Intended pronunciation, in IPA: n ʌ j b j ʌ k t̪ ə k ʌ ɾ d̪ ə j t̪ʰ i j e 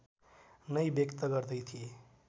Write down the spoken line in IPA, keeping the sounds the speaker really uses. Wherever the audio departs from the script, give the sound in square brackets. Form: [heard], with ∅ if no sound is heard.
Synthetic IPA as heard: n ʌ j b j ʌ k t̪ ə [ɡ] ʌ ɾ d̪ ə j t̪ʰ i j e